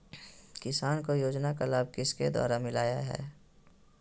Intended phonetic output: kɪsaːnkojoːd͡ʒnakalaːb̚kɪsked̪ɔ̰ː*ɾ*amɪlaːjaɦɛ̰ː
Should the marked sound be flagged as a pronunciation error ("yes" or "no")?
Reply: no